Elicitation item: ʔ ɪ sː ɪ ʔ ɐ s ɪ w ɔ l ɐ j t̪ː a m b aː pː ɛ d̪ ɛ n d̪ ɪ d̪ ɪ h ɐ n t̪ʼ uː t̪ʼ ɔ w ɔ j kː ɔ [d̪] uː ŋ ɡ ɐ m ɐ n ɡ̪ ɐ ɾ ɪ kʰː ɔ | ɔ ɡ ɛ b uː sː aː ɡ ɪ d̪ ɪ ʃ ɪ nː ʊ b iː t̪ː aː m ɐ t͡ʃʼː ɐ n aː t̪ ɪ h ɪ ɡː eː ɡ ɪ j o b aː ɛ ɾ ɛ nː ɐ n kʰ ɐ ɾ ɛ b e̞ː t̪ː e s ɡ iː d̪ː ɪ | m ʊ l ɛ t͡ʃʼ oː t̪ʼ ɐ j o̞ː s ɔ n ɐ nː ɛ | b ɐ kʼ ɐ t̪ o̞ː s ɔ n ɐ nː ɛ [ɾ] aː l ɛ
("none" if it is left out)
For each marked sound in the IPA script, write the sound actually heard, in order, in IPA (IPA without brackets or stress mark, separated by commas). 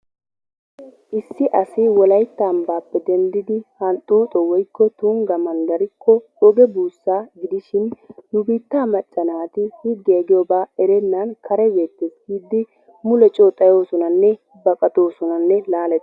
t̪, l